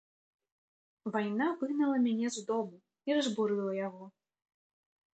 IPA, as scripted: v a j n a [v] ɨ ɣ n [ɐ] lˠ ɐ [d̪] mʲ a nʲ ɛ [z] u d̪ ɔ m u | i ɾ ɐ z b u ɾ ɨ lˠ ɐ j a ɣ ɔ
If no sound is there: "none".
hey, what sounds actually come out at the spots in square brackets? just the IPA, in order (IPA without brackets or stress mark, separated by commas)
v, ɐ, none, z